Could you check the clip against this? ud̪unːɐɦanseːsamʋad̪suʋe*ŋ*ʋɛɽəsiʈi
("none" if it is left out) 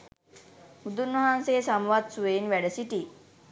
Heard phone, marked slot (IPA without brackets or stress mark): n